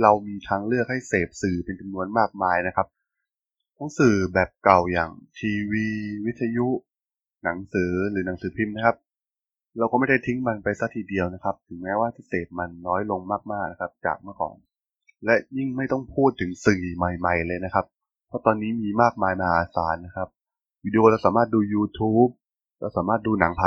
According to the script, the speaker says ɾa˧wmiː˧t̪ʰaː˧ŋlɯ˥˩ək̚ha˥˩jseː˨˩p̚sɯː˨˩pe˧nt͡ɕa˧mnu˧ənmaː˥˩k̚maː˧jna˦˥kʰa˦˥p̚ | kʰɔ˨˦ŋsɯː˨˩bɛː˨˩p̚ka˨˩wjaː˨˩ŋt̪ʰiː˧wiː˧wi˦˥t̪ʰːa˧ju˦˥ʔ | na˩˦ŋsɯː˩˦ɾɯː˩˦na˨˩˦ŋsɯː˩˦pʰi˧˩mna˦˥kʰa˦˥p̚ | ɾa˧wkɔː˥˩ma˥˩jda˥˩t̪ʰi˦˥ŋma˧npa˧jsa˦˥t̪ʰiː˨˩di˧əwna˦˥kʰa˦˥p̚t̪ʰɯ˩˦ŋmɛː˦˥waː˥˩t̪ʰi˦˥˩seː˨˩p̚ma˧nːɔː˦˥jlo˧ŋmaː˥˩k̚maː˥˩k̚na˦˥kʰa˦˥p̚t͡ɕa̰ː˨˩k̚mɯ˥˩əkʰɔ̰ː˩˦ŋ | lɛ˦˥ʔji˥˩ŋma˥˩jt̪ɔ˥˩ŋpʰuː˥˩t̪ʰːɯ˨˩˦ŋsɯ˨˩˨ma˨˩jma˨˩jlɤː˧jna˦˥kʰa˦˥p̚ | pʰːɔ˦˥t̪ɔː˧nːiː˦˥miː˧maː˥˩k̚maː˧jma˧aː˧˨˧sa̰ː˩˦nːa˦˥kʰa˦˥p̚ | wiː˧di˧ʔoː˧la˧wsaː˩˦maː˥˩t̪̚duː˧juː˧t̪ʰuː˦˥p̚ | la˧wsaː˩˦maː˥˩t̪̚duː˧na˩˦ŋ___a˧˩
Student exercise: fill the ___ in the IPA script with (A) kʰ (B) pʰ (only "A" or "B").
B